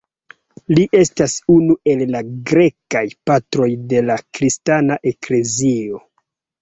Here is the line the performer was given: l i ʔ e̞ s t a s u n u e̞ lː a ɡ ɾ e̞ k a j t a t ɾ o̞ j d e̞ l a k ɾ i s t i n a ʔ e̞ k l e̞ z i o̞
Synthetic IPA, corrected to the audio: l i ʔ e̞ s t a s u n u e̞ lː a ɡ ɾ e̞ k a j p a t ɾ o̞ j d e̞ l a k ɾ i s t a n a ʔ e̞ k l e̞ z i o̞